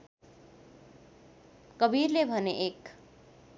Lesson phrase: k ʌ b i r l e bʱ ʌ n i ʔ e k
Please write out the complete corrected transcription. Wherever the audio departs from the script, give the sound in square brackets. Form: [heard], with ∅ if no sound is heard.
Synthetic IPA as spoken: k ʌ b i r l e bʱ ʌ n [e] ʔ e k